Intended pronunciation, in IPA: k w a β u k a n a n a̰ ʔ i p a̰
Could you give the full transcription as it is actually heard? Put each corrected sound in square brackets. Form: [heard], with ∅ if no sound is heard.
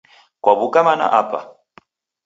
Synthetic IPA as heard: k w a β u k a [m] a n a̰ ʔ [a] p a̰